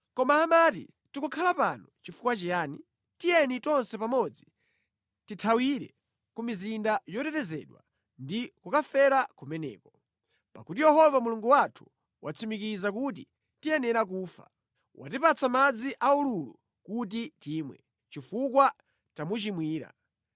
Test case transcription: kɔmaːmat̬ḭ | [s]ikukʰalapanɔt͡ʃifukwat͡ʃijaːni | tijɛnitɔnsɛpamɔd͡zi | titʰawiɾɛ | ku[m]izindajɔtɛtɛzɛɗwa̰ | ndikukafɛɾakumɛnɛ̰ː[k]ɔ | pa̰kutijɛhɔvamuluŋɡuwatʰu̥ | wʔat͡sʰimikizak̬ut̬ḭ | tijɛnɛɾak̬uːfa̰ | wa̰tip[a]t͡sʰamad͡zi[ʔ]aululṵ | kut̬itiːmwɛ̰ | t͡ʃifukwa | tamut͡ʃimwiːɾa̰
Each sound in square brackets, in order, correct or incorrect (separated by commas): incorrect, correct, correct, correct, correct